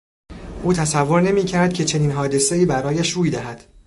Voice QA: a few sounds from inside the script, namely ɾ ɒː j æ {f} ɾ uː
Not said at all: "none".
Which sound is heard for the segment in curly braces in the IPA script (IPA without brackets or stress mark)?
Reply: ʃ